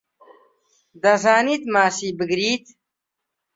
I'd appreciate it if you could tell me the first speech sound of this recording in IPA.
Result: d̪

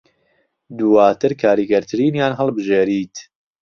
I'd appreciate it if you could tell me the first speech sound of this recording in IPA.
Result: d̪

